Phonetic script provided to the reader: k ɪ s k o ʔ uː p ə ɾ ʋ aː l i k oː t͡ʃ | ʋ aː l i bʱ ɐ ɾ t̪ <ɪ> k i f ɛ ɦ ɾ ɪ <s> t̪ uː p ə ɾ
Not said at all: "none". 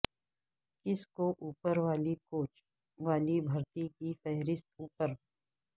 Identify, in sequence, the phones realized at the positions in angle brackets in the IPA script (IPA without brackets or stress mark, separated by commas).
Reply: i, s